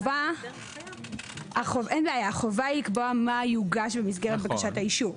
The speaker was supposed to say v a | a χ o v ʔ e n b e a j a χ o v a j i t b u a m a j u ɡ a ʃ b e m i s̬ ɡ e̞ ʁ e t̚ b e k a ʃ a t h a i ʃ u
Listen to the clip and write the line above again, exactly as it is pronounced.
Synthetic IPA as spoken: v a | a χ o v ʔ e n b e a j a χ o v a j i k b o a m a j u ɡ a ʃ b e m i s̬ ɡ e̞ ʁ e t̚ b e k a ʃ a t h a i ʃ u